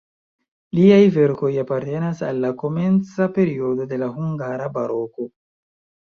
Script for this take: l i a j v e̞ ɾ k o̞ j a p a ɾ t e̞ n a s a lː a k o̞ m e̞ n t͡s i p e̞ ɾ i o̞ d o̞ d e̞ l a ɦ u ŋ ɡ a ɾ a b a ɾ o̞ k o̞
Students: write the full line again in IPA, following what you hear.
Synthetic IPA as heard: l i a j v e̞ ɾ k o̞ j a p a ɾ t e̞ n a s a lː a k o̞ m e̞ n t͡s a p e̞ ɾ i o̞ d o̞ d e̞ l a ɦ u ŋ ɡ a ɾ a b a ɾ o̞ k o̞